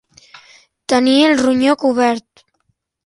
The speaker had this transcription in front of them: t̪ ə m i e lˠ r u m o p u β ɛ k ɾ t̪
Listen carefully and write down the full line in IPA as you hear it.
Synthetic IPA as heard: t̪ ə n i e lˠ r u ɲ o k u β ɛ ɾ t̪